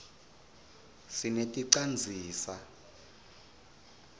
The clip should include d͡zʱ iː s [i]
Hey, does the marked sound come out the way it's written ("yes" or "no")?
no